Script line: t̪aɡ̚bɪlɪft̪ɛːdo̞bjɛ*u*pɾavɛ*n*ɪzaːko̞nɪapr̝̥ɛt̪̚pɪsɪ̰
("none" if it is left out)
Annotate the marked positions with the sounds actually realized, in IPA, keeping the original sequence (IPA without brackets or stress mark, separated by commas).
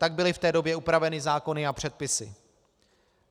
u, n